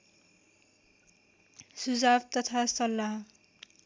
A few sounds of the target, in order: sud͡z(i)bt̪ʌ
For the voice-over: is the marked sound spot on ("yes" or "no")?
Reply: no